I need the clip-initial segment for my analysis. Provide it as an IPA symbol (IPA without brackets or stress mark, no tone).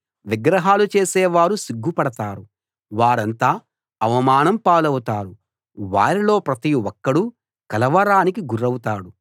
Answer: ʋ